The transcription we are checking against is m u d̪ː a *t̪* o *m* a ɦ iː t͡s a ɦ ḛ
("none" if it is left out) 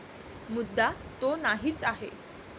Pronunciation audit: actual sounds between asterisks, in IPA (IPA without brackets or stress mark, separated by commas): t̪, n